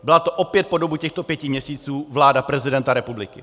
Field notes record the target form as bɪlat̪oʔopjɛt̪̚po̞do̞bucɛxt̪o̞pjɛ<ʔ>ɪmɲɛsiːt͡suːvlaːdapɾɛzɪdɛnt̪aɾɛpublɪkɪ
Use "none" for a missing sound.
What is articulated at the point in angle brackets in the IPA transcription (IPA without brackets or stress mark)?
c